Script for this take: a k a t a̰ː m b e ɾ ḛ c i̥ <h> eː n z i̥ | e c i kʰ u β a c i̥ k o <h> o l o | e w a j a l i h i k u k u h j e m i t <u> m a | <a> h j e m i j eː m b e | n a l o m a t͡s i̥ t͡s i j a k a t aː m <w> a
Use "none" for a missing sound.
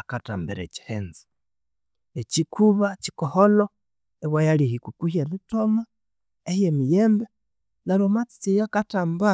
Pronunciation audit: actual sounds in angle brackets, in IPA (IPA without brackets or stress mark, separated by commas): h, h, o, e, b